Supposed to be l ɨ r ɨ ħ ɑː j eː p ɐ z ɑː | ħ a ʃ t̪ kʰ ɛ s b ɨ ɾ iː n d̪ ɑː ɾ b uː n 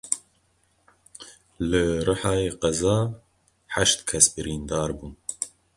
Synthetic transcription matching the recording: l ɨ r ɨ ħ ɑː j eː q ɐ z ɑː | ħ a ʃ t̪ kʰ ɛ s b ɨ ɾ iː n d̪ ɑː ɾ b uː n